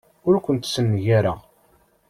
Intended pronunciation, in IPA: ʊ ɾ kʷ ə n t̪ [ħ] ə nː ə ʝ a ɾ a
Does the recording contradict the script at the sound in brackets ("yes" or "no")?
yes